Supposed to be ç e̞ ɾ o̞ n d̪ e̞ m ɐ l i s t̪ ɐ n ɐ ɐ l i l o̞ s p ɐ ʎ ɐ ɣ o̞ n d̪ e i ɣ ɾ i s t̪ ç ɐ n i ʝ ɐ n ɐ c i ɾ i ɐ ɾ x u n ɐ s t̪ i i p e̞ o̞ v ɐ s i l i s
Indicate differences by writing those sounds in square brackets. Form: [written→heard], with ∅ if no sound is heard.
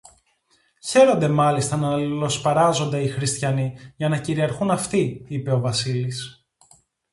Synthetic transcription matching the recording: ç e̞ ɾ o̞ n d̪ e̞ m ɐ l i s t̪ ɐ n ɐ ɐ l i l o̞ s p ɐ [ʎ→ɾ] ɐ [ɣ→z] o̞ n d̪ e i [ɣ→x] ɾ i s t̪ ç ɐ n i ʝ ɐ n ɐ c i ɾ i ɐ ɾ x u n ɐ [s→f] t̪ i i p e̞ o̞ v ɐ s i l i s